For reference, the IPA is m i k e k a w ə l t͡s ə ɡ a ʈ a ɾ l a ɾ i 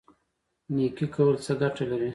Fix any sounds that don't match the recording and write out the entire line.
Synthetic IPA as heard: n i k i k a w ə l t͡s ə ɡ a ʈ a l a ɾ i